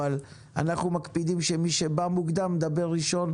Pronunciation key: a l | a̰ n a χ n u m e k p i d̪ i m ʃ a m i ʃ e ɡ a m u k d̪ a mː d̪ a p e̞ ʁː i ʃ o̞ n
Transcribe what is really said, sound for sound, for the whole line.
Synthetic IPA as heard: a l | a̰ n a χ n u m a k p i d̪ i m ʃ e m i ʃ e b a m u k d̪ a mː d̪ a b e̞ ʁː i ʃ o̞ n